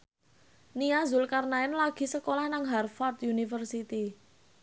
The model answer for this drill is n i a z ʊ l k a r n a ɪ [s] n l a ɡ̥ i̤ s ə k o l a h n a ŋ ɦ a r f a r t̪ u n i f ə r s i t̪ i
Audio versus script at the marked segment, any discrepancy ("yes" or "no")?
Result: yes